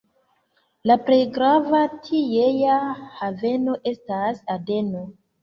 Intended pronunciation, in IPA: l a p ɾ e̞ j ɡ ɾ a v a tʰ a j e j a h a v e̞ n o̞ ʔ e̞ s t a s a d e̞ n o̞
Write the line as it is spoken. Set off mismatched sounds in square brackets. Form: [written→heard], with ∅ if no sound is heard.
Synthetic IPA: l a p ɾ e̞ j ɡ ɾ a v a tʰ [a→i] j e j a h a v e̞ n o̞ ʔ e̞ s t a s a d e̞ n o̞

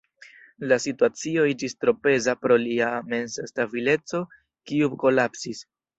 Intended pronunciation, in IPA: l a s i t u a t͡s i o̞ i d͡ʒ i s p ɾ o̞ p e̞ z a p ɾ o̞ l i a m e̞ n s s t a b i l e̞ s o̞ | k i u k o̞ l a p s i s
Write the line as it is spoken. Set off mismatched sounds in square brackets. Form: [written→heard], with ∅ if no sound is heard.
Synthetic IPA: l a s i t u a t͡s i o̞ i d͡ʒ i s [p→t] ɾ o̞ p e̞ z a p ɾ o̞ l i a m e̞ n s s t a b i l e̞ [s→t͡s] o̞ | k i u k o̞ l a p s i s

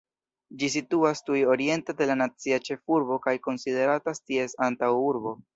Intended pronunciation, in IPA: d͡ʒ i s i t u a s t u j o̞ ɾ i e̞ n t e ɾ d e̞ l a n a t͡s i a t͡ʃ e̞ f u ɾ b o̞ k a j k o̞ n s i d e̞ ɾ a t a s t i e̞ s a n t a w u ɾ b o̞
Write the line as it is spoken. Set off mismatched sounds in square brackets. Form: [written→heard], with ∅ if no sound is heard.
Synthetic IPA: d͡ʒ i s i t u a s t u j o̞ ɾ i e̞ n t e [ɾ→∅] d e̞ l a n a t͡s i a t͡ʃ e̞ f u ɾ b o̞ k a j k o̞ n s i d e̞ ɾ a t a s t i e̞ s a n t a w u ɾ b o̞

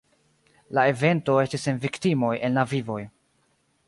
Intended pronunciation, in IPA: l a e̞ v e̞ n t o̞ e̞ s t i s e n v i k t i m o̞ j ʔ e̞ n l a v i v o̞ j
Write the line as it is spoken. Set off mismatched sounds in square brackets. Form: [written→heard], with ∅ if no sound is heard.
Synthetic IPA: l a e̞ v e̞ n t o̞ e̞ s t i s e n v i k t i m o̞ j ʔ e̞ n l a v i v o̞ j

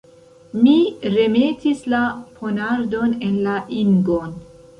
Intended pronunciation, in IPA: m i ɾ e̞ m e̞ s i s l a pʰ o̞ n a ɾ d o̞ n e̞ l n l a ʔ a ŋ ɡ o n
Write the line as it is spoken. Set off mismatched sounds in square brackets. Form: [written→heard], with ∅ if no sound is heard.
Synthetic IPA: m i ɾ e̞ m e̞ [s→t] i s l a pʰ o̞ n a ɾ d o̞ n e̞ [l→∅] n l a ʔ [a→i] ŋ ɡ o n

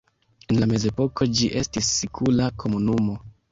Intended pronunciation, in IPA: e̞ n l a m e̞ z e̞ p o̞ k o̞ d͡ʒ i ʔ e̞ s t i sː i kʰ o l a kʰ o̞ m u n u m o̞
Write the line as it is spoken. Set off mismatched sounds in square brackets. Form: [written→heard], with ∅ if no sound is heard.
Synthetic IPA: e̞ n l a m e̞ z e̞ p o̞ k o̞ d͡ʒ i ʔ e̞ s t i sː i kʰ [o→u] l a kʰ o̞ m u n u m o̞

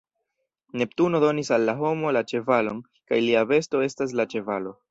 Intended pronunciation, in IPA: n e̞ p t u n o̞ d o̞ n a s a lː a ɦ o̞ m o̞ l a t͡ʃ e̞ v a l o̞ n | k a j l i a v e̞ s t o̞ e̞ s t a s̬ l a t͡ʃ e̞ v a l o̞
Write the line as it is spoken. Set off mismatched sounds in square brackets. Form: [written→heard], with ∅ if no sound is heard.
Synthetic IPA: n e̞ p t u n o̞ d o̞ n [a→i] s a lː a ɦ o̞ m o̞ l a t͡ʃ e̞ v a l o̞ n | k a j l i a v e̞ s t o̞ e̞ s t a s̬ l a t͡ʃ e̞ v a l o̞

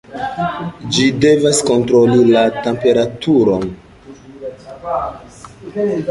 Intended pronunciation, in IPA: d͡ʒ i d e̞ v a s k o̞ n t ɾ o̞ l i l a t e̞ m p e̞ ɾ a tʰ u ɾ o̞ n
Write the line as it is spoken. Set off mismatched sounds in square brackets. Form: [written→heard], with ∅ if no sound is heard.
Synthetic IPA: d͡ʒ i d e̞ v a s k o̞ n t ɾ o̞ l i l a t e̞ m p e̞ ɾ a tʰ u ɾ o̞ n

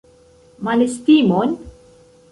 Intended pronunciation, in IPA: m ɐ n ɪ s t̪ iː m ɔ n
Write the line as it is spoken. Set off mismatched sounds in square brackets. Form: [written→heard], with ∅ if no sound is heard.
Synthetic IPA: m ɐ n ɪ s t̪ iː m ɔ n

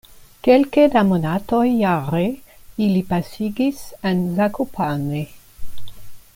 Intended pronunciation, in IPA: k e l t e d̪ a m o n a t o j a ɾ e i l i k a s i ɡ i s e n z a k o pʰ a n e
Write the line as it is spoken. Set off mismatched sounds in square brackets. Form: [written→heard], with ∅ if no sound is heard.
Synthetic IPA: k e l [t→k] e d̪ a m o n a t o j a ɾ e i l i [k→p] a s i ɡ i s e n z a k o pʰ a n e

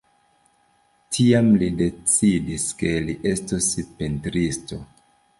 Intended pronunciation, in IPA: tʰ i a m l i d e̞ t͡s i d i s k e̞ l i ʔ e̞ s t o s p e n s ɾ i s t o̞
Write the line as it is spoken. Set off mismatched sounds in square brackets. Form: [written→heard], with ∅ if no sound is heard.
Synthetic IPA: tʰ i a m l i d e̞ t͡s i d i s k e̞ l i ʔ e̞ s t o s p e n [s→t] ɾ i s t o̞

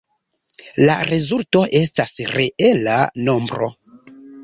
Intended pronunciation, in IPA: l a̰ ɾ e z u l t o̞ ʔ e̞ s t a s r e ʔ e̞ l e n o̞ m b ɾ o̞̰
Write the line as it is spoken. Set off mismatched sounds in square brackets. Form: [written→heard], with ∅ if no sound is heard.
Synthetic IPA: l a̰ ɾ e z u l t o̞ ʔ e̞ s t a s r e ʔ e̞ l [e→a] n o̞ m b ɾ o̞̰

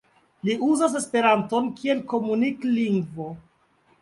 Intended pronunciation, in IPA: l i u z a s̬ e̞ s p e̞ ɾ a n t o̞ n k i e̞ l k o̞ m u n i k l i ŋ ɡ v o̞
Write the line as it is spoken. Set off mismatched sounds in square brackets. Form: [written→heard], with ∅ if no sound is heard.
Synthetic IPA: l i u z a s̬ e̞ s p e̞ ɾ a n t o̞ n k i e̞ l k o̞ m u n i k l i ŋ ɡ v o̞

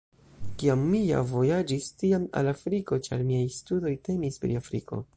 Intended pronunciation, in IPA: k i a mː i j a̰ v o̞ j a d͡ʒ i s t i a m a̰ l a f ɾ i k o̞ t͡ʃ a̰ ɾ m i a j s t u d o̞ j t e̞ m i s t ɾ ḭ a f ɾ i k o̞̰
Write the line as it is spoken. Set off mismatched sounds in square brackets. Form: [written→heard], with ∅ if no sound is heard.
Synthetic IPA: k i a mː i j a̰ v o̞ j a d͡ʒ i s t i a m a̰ l a f ɾ i k o̞ t͡ʃ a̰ ɾ m i a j s t u d o̞ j t e̞ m i s [t→p] ɾ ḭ a f ɾ i k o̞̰

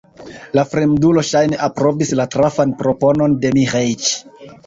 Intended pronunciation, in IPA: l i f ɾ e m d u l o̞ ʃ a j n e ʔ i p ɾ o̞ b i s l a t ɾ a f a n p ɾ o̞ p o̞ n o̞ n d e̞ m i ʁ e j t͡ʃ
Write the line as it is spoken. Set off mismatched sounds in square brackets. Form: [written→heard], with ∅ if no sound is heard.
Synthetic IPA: l [i→a] f ɾ e m d u l o̞ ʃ a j n e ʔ [i→a] p ɾ o̞ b i s l a t ɾ a f a n p ɾ o̞ p o̞ n o̞ n d e̞ m i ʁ e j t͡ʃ

